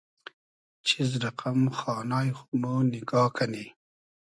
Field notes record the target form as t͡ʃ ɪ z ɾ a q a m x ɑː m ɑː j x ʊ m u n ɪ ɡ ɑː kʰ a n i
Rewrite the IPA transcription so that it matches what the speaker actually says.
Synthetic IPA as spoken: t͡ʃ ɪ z ɾ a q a m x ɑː n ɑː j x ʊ m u n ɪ ɡ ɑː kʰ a n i